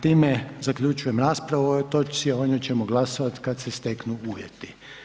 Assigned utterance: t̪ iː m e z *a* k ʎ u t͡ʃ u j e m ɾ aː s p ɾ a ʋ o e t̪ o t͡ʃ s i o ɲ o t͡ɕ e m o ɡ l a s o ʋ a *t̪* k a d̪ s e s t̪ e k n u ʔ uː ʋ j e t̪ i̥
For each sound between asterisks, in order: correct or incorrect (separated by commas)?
correct, correct